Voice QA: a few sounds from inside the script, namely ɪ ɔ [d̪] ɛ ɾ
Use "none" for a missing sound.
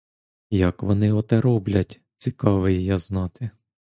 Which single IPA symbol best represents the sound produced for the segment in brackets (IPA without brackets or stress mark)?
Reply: t̪